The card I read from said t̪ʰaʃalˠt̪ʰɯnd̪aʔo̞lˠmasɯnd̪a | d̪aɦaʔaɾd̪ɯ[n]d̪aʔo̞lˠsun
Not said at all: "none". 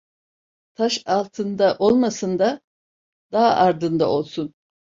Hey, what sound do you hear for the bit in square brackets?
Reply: n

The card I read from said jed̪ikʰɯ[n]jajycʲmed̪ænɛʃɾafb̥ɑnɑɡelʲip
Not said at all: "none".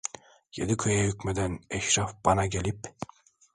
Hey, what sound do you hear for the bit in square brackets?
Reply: none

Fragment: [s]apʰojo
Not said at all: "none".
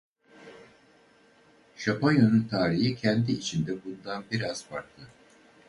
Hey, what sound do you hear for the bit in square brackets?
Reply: ʃ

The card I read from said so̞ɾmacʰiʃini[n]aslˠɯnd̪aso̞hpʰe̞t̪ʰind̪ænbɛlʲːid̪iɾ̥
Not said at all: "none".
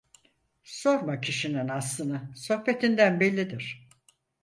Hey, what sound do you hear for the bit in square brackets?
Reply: n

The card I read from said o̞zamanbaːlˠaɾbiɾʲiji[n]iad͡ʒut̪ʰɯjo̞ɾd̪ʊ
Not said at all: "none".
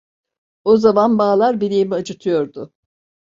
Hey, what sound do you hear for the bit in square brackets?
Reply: m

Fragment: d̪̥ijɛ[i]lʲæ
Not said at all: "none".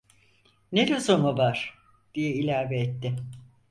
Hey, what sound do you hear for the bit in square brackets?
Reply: i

